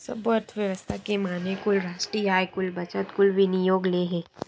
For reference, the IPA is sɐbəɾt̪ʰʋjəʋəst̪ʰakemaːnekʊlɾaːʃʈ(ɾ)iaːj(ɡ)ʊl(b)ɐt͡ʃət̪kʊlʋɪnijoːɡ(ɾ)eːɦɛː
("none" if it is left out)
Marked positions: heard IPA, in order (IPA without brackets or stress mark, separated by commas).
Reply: ɾ, k, b, l